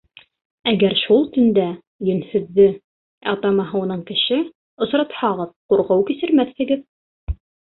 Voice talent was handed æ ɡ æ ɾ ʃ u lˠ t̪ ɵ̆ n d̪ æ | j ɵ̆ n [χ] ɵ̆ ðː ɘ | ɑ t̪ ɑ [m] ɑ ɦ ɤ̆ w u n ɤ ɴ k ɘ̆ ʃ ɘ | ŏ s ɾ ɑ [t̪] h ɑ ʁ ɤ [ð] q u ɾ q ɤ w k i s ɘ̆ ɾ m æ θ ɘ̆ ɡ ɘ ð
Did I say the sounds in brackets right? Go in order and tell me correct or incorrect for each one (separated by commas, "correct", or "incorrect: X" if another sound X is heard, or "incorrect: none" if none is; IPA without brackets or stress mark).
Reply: incorrect: h, correct, correct, correct